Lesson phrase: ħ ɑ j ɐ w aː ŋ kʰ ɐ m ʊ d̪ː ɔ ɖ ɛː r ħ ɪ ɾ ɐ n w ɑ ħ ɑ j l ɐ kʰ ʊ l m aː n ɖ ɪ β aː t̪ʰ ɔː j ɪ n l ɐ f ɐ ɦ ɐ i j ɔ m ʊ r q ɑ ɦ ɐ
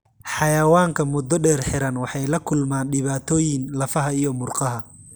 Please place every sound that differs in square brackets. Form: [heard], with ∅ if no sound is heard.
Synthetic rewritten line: ħ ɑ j ɐ w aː ŋ kʰ ɐ m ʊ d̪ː ɔ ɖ ɛː r ħ ɪ ɾ ɐ n w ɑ ħ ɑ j l ɐ kʰ ʊ l m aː n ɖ ɪ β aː t̪ʰ ɔː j ɪ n l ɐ f ɐ ɦ ɐ i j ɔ m ʊ r q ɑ ɦ ɐ